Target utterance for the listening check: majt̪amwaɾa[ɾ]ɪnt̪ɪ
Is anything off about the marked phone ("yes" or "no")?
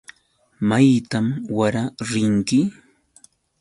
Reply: no